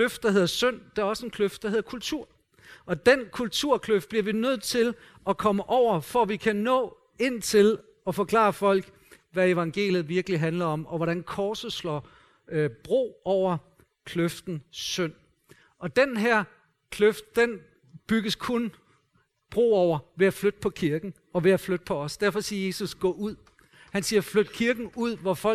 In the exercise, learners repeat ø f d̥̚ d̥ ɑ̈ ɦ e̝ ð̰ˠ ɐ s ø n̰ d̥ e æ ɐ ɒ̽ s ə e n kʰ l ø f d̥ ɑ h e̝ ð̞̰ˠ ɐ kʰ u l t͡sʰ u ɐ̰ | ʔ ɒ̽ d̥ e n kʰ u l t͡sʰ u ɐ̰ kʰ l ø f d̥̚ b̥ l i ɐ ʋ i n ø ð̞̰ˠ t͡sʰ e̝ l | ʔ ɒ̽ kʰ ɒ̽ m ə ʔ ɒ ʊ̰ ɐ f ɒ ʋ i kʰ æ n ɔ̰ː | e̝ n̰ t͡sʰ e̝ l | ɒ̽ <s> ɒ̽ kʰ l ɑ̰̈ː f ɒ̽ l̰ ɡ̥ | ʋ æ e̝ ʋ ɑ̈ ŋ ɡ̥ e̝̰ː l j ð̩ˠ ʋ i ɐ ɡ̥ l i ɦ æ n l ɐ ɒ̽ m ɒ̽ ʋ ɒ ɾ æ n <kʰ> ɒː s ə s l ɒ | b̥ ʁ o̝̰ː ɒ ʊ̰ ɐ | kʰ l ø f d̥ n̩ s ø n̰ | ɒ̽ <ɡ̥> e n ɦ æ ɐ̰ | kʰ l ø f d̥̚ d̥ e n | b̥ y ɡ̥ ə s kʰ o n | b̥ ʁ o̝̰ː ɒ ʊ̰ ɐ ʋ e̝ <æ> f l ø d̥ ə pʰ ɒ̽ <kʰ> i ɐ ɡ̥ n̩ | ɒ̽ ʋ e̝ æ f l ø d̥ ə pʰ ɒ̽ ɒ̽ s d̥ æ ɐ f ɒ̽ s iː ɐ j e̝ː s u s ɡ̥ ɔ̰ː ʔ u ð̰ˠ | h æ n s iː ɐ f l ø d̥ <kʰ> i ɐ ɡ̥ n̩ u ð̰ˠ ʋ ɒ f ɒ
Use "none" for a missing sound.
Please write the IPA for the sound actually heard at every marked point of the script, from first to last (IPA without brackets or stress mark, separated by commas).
f, kʰ, d̥, æ, kʰ, kʰ